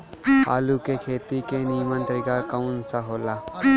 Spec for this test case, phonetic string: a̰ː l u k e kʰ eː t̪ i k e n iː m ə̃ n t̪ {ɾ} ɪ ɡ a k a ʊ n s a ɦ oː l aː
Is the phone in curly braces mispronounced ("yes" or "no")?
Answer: no